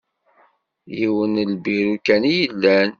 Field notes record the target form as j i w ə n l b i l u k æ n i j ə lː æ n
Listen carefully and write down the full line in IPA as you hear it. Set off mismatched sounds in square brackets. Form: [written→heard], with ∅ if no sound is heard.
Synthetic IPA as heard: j i w ə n l b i [l→ɾ] u k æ n i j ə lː æ n